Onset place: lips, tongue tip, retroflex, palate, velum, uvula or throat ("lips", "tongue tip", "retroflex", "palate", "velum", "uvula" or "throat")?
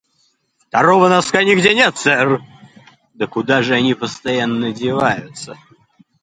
lips